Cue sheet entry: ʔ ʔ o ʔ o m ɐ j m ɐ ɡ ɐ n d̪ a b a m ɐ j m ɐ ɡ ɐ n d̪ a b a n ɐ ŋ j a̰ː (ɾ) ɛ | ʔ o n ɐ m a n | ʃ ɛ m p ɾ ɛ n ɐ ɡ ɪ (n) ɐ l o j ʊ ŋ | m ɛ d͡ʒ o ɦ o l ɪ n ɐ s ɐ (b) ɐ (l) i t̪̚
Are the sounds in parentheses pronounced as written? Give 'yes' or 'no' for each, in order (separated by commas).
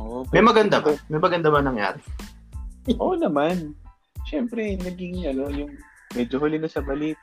yes, no, yes, yes